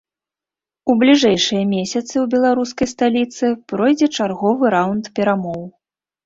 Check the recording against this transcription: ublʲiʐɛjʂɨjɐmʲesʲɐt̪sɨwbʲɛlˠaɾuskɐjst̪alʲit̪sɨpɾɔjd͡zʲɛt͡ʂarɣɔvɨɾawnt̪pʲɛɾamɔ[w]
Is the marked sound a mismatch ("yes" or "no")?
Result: no